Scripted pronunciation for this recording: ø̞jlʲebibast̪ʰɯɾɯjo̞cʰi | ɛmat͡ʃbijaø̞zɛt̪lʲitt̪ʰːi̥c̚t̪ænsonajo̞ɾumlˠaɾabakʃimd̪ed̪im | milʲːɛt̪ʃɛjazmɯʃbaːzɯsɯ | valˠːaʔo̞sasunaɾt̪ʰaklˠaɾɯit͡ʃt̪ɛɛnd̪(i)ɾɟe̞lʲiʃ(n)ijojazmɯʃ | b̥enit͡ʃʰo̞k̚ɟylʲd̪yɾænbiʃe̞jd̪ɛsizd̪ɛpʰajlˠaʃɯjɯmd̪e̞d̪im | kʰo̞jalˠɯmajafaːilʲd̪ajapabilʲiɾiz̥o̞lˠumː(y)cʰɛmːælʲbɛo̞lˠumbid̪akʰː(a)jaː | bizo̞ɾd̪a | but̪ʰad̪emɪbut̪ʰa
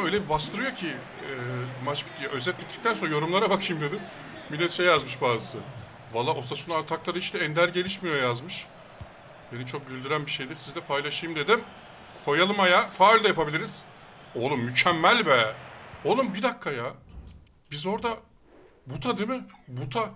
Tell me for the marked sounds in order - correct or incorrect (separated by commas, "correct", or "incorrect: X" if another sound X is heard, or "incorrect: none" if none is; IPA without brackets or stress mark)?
incorrect: æ, incorrect: m, correct, correct